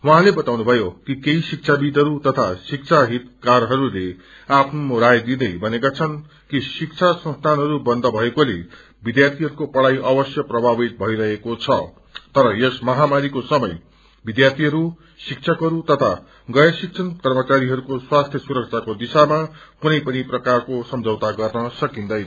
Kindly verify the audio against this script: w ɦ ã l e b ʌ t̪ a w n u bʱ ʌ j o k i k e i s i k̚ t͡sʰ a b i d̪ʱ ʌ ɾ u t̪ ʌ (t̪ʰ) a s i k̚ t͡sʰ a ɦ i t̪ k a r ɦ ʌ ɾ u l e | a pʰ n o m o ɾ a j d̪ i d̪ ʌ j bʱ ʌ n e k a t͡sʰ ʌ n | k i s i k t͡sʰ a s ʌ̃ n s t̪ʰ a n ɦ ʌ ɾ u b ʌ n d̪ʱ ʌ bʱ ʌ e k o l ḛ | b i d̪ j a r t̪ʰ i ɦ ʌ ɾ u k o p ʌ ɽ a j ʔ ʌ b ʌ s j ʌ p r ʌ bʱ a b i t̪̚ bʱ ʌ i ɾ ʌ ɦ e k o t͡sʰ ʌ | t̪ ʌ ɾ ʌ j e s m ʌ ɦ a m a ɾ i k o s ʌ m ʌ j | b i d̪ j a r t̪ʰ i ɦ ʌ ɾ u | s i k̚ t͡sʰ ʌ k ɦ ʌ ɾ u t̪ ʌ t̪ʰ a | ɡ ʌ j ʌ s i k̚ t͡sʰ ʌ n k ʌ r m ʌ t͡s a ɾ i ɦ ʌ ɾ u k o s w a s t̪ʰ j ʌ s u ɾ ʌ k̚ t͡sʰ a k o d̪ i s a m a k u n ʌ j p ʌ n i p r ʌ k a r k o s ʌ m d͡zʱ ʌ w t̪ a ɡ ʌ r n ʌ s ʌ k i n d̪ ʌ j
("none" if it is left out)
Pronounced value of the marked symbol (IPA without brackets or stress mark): t̪ʰ